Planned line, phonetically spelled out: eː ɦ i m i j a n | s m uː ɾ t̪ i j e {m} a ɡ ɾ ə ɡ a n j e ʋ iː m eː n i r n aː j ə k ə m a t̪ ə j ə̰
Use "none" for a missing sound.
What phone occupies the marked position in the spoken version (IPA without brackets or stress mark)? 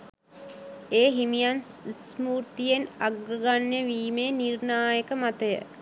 n